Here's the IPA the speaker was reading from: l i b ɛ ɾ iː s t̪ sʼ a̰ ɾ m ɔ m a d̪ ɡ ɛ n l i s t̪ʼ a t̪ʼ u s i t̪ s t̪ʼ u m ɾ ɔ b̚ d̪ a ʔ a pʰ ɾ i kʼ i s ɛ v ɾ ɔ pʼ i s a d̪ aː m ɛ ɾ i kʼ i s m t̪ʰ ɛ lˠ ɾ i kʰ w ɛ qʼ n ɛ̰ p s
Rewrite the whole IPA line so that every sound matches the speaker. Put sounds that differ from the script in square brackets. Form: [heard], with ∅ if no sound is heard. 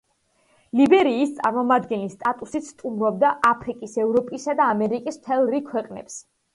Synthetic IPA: l i b ɛ ɾ iː s t̪ sʼ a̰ ɾ m ɔ m a d̪ ɡ ɛ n l i s t̪ʼ a t̪ʼ u s i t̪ s t̪ʼ u m ɾ ɔ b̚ d̪ a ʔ a pʰ ɾ i kʼ i s ɛ v ɾ ɔ pʼ i s a d̪ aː m ɛ ɾ i kʼ i s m t̪ʰ ɛ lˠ ɾ i kʰ w ɛ qʼ n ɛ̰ p s